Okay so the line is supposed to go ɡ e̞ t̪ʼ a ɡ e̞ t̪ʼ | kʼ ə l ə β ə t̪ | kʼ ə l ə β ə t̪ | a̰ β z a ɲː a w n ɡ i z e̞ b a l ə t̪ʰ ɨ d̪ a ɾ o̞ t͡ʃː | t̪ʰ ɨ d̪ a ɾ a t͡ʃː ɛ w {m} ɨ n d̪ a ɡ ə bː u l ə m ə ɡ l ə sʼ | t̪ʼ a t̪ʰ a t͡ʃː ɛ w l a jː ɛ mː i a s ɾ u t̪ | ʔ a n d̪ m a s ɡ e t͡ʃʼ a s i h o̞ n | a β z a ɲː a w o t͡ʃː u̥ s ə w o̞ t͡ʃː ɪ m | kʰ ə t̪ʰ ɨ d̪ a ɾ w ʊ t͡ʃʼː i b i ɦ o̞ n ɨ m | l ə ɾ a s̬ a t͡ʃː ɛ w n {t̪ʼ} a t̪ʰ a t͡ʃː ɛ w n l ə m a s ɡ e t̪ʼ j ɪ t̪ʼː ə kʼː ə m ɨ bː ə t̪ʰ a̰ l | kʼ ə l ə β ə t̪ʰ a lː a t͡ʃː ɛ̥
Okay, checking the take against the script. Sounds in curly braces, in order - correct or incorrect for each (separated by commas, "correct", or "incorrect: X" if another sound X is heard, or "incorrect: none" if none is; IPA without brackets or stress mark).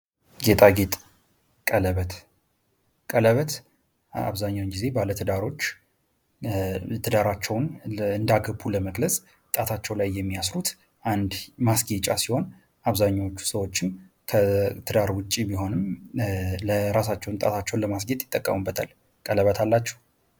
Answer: incorrect: n, correct